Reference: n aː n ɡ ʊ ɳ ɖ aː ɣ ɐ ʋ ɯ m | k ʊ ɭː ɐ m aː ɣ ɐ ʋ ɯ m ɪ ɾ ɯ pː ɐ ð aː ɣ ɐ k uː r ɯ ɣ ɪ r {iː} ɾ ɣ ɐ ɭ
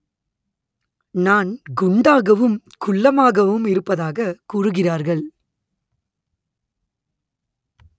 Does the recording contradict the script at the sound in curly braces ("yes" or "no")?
yes